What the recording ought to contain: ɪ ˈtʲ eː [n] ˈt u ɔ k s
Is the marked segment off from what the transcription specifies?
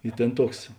no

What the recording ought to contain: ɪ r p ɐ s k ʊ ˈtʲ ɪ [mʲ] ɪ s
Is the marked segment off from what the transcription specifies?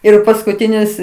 yes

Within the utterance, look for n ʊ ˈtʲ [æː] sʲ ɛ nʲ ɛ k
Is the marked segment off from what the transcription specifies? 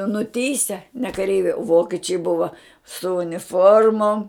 yes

